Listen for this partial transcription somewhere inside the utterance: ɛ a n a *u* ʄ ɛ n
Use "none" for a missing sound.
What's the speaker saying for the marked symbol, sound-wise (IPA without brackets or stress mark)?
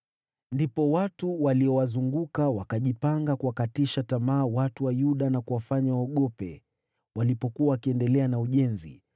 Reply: u